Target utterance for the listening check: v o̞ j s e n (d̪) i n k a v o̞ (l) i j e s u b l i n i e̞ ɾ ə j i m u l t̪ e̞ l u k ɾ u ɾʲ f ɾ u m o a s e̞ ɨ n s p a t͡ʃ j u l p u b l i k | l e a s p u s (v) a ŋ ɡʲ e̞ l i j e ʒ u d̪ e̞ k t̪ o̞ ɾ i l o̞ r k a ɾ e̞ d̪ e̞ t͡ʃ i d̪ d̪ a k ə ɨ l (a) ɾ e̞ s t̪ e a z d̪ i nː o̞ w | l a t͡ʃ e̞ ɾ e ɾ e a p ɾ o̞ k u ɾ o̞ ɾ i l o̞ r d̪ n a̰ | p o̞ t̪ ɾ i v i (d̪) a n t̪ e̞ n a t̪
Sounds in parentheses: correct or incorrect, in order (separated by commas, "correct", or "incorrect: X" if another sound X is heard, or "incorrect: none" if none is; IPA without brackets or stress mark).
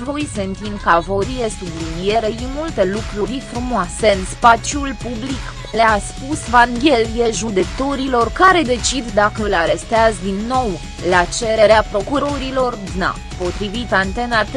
incorrect: t̪, incorrect: ɾ, correct, correct, incorrect: t̪